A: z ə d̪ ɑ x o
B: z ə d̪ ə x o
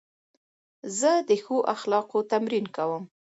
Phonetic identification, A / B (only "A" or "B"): B